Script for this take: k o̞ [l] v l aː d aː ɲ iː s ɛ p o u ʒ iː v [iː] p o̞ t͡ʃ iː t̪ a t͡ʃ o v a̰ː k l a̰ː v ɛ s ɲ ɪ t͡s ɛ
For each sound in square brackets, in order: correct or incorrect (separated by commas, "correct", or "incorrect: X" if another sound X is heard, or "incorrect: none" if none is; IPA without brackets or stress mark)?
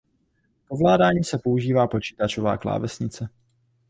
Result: incorrect: none, incorrect: aː